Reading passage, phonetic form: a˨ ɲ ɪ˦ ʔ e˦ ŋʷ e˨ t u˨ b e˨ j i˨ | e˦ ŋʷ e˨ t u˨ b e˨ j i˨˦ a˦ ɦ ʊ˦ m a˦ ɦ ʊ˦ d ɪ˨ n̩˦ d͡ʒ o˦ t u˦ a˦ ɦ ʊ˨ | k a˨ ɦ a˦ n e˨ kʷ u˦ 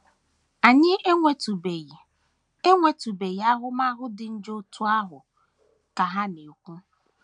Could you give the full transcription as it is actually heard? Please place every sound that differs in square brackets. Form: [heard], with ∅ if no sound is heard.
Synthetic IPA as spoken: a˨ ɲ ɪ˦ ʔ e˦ ŋʷ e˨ t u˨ b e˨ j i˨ | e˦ ŋʷ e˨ t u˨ b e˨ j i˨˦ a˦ ɦ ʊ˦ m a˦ ɦ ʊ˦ d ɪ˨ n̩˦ d͡ʒ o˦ t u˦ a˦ ɦ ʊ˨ | k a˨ ɦ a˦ n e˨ kʷ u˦